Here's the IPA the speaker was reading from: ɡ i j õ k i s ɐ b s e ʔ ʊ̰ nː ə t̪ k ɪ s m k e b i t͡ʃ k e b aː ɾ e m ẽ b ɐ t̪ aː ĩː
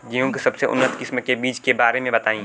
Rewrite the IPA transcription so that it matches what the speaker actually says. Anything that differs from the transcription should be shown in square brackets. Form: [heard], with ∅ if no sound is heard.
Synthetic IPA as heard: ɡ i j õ k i s ɐ b s e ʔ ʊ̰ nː ə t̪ k ɪ s m k e b [iː] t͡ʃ k e b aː ɾ e m ẽ b ɐ t̪ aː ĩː